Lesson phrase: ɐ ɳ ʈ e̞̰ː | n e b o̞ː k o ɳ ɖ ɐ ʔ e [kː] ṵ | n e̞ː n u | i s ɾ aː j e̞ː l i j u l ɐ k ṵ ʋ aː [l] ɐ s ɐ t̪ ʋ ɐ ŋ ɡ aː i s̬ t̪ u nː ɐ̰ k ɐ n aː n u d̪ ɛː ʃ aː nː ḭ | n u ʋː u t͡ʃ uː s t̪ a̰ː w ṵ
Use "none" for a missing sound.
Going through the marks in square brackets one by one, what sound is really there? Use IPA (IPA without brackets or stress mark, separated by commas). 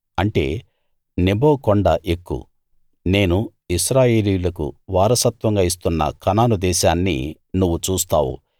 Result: kː, ɾ